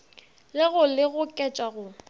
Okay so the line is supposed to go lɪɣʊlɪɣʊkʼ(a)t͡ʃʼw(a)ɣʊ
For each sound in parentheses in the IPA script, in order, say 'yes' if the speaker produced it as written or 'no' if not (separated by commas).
no, yes